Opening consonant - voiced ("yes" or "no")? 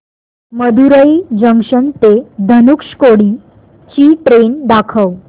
yes